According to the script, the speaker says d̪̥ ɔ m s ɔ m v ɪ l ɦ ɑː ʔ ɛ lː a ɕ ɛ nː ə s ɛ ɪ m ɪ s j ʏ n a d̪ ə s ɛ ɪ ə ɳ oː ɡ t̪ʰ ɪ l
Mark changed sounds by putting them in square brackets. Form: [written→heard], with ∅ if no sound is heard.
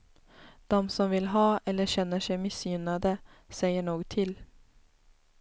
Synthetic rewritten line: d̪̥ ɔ m s ɔ m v ɪ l ɦ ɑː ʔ ɛ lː [a→ə] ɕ ɛ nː ə [s→ʂ] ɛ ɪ m ɪ s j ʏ n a d̪ ə s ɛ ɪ ə ɳ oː ɡ t̪ʰ ɪ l